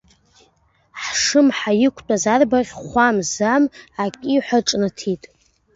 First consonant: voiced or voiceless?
voiceless